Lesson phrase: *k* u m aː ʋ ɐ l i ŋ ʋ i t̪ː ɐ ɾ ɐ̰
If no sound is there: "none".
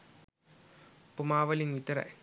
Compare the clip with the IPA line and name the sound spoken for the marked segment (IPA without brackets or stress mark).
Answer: p